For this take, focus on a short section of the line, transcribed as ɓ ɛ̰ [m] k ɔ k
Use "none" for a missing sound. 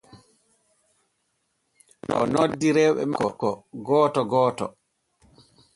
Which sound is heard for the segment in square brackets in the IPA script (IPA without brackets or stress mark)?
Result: m